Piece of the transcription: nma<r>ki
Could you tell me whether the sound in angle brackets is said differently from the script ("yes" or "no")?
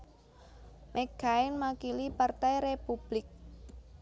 yes